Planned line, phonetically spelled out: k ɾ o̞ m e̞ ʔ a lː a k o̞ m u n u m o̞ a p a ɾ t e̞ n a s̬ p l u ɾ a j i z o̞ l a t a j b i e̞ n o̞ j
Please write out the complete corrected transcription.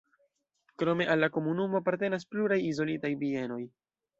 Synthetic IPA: k ɾ o̞ m e̞ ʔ a lː a k o̞ m u n u m o̞ a p a ɾ t e̞ n a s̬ p l u ɾ a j i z o̞ l i t a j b i e̞ n o̞ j